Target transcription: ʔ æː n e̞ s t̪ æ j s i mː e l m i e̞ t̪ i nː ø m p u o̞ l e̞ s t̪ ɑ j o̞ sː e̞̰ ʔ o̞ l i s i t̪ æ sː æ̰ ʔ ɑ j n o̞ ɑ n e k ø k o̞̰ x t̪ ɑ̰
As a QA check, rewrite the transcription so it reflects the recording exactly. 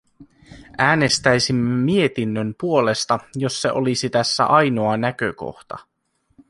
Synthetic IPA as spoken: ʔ æː n e̞ s t̪ æ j s i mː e m i e̞ t̪ i nː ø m p u o̞ l e̞ s t̪ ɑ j o̞ sː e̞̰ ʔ o̞ l i s i t̪ æ sː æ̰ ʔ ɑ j n o̞ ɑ n æ k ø k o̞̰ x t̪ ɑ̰